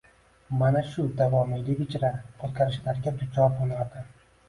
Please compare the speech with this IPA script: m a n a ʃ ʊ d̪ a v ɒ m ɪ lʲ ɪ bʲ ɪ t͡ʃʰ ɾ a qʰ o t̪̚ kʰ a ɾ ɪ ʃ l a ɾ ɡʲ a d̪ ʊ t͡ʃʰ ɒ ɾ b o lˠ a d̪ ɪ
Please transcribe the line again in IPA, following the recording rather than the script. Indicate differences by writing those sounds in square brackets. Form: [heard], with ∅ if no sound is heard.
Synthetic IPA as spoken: m a n a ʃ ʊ d̪ a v ɒ m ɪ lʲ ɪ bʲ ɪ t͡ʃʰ ɾ a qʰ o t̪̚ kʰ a ɾ ɪ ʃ l a ɾ ɡʲ a d̪ ʊ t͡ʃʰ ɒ ɾ b o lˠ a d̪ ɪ